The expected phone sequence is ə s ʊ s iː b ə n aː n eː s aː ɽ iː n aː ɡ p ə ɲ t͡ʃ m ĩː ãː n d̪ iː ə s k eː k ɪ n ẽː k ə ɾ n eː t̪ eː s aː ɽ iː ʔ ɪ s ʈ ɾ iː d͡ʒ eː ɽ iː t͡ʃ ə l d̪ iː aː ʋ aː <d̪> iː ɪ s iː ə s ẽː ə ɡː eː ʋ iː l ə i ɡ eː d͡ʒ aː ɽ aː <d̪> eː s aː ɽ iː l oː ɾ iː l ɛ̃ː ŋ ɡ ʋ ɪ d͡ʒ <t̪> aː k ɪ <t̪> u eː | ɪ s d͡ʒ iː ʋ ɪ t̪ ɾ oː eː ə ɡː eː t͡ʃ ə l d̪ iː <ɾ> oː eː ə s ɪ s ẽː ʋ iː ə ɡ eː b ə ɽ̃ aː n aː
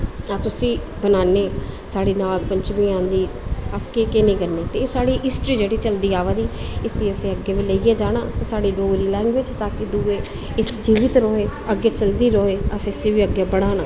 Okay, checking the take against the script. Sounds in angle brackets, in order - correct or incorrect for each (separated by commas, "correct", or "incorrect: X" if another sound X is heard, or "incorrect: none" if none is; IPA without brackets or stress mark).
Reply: correct, incorrect: t̪, correct, incorrect: d̪, correct